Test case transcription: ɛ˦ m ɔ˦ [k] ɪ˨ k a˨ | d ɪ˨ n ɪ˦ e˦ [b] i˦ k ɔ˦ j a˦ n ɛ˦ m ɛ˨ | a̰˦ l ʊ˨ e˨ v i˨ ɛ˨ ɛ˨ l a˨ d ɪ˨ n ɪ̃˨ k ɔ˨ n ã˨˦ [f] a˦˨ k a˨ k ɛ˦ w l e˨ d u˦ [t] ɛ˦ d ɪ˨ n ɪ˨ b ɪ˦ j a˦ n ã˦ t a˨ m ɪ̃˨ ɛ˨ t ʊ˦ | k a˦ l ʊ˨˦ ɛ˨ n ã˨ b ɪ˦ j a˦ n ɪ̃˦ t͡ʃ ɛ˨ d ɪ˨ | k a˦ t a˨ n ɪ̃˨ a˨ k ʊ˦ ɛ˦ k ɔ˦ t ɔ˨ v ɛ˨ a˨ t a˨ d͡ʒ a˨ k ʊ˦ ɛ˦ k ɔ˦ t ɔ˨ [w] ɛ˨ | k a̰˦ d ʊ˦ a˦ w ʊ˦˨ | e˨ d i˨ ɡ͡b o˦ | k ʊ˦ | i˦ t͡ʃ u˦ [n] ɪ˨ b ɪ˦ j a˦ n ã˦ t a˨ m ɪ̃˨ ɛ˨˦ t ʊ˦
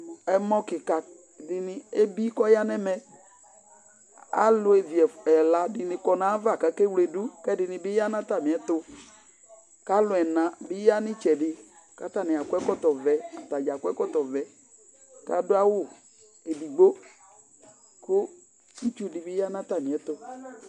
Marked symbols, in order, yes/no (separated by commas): yes, yes, no, no, no, no